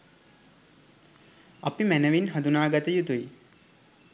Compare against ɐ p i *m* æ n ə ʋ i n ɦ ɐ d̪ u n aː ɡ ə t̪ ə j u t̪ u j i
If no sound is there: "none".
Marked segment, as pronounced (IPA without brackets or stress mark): m